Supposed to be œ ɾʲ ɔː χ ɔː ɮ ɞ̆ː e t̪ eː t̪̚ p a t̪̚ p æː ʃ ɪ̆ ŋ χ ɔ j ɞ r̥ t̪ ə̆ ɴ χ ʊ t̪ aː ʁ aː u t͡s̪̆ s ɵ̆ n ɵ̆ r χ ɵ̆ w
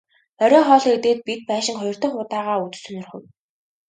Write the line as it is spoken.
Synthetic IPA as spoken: œ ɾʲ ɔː χ ɔː ɮ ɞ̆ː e t̪ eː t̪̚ p i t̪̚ p æː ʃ ɪ̆ ŋ χ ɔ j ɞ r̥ t̪ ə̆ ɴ χ ʊ t̪ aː ʁ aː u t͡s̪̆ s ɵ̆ n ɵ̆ r χ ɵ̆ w